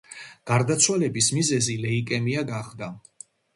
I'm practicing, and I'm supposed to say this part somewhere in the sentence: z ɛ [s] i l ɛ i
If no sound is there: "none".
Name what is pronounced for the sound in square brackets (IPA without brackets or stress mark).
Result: z